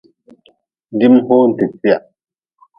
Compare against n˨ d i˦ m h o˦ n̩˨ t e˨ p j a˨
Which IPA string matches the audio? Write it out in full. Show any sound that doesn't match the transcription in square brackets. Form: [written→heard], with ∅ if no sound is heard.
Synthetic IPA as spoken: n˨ d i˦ m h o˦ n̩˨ t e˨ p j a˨